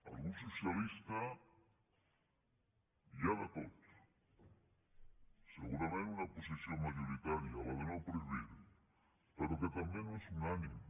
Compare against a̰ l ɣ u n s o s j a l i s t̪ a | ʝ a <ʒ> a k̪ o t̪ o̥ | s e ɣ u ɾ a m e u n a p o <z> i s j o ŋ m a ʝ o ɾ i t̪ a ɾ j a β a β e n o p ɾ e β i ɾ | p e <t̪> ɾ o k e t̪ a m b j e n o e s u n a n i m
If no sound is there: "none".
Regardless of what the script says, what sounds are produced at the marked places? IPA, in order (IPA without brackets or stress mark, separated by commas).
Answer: ð, s, none